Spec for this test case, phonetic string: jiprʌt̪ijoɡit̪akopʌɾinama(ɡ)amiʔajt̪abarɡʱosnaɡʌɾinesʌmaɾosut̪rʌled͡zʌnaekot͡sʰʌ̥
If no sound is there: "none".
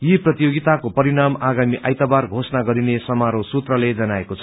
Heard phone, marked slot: ɡ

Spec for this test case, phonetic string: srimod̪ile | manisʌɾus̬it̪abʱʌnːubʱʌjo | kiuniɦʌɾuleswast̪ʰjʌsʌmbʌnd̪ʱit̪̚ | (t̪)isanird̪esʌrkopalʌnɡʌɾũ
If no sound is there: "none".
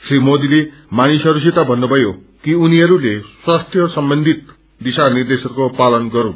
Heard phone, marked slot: d̪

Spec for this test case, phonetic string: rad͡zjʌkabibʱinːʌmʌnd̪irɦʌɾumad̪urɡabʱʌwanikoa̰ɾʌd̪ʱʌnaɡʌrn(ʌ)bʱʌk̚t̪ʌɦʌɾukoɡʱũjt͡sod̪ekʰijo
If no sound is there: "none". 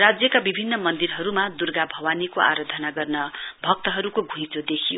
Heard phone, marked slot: ʌ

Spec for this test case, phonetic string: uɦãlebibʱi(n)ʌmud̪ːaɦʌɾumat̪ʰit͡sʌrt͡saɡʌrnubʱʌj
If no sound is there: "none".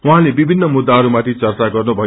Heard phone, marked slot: nː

